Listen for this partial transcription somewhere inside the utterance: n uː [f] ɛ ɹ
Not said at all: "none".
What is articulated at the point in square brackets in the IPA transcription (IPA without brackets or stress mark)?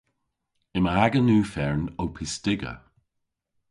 f